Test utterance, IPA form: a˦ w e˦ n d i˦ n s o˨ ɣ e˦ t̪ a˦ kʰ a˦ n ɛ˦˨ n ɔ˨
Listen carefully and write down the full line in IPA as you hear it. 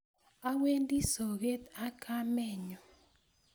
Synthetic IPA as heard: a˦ w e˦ n d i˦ s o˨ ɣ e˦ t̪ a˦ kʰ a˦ m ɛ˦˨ ɲ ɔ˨